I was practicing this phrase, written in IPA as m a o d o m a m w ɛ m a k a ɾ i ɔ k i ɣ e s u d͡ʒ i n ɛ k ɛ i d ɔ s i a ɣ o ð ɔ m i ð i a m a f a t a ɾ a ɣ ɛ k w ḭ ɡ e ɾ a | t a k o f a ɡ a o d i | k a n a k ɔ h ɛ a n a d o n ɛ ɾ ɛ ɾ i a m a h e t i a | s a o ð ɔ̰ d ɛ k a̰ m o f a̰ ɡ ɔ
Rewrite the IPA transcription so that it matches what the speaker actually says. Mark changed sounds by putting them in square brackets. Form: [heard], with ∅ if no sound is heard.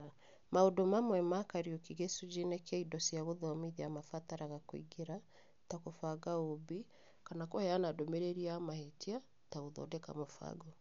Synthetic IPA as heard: m a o d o m a m w ɛ m a k a ɾ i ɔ k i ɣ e s u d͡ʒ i n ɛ k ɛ i d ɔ s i a ɣ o ð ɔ m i ð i a m a f a t a ɾ a ɣ [a] k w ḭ ɡ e ɾ a | t a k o f a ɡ a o [b] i | k a n a k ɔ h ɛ a n a d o [m] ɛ ɾ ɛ ɾ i a m a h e t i a | [t] a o ð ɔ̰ d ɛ k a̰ m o f a̰ ɡ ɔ